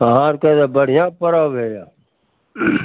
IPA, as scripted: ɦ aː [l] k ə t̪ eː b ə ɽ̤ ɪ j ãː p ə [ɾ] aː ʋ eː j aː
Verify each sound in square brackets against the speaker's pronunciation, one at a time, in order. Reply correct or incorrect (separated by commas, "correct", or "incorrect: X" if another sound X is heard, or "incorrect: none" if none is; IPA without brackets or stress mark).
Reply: incorrect: ɾ, correct